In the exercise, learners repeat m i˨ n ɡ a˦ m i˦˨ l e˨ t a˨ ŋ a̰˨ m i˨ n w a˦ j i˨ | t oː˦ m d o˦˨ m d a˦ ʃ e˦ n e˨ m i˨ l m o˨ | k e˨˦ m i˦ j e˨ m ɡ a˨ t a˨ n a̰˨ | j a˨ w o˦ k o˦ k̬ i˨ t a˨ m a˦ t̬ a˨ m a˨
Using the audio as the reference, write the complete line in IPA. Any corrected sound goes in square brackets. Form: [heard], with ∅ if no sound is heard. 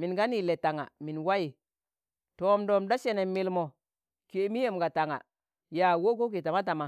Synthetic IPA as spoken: m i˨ n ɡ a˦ [n] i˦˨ l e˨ t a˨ ŋ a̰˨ m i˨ n w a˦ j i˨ | t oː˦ m d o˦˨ m d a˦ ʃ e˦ n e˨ m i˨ l m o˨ | k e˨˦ m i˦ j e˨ m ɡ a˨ t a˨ [ŋ] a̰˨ | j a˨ w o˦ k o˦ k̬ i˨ t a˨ m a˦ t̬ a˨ m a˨